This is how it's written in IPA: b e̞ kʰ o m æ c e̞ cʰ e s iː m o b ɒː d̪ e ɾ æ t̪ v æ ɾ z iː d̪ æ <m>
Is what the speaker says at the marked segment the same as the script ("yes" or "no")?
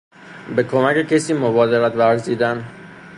no